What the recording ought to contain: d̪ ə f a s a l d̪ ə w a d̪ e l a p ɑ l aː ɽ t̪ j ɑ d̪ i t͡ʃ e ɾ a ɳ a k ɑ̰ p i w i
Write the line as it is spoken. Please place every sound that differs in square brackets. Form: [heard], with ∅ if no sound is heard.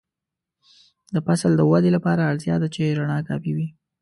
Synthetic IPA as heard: d̪ ə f a s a l d̪ ə w a d̪ e l a p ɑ [ɾ] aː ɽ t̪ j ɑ d̪ [a] t͡ʃ e ɾ a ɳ [ɑ] k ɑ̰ p i w i

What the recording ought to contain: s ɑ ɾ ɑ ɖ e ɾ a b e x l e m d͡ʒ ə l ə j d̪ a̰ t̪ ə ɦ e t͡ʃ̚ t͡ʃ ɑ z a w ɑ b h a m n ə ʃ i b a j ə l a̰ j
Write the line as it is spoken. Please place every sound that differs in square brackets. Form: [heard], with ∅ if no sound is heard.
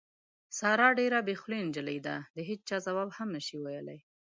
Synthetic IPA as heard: s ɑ ɾ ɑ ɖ e ɾ a b e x l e [n] d͡ʒ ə l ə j d̪ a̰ [d̪] ə ɦ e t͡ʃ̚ t͡ʃ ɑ z a w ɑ b h a m n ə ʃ i [w] a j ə l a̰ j

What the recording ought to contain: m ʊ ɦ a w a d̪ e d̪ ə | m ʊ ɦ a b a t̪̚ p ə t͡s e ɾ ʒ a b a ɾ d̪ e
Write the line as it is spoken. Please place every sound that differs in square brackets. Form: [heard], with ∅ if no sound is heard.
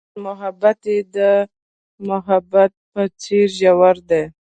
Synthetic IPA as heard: m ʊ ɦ a [b] a [t̪] e d̪ ə | m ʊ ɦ a b a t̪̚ p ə t͡s e ɾ ʒ a [w] a ɾ d̪ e

